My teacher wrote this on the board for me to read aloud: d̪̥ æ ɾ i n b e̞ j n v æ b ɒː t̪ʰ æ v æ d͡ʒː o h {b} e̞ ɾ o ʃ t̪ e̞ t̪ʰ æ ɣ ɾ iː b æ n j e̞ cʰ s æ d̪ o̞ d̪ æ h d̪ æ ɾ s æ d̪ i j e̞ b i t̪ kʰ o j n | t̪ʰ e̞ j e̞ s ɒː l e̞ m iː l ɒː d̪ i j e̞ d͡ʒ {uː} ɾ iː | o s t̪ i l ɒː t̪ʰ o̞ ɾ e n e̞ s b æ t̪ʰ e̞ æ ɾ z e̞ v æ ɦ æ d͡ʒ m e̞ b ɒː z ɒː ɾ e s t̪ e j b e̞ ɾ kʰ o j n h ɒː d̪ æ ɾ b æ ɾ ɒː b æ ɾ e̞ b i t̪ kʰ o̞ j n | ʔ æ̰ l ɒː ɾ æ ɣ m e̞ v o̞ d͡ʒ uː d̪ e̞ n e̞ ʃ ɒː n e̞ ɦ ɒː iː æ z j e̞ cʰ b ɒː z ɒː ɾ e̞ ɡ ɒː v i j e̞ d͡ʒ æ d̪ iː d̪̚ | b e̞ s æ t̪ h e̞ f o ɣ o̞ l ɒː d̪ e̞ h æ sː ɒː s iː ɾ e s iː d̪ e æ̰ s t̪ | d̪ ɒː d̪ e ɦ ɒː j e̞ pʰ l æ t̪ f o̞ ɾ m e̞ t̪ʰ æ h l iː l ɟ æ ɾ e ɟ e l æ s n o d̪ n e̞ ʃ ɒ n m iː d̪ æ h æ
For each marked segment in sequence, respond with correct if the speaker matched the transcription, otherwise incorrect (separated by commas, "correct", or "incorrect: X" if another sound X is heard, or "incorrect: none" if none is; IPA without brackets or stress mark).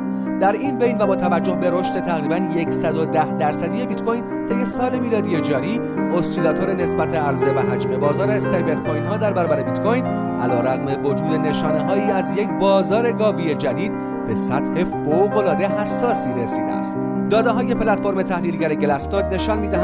correct, incorrect: ɒː